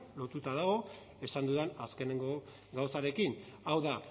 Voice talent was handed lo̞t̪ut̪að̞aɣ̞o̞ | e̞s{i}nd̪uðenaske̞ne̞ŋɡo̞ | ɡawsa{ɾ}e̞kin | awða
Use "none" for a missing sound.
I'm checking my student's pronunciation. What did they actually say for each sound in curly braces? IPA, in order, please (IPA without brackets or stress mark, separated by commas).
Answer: a, ɾ